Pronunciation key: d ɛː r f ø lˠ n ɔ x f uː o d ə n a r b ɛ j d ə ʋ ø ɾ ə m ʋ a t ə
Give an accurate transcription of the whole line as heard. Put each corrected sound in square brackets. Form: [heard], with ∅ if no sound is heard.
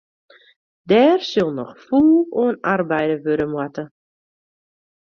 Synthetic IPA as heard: d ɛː r [s] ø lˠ n ɔ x f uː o [∅] ə n a r b ɛ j d ə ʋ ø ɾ ə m [w] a t ə